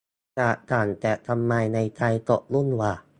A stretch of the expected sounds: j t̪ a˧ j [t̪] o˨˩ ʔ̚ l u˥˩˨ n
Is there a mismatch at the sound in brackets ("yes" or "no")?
no